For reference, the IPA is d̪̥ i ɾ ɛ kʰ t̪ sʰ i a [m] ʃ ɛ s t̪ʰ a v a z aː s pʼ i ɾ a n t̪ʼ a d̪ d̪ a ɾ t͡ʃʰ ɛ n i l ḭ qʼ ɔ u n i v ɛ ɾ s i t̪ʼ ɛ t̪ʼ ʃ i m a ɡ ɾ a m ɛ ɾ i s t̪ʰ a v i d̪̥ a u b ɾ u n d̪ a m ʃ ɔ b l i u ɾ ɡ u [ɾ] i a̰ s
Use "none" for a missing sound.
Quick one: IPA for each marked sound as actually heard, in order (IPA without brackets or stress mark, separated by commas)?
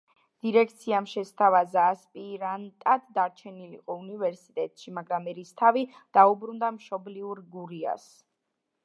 m, ɾ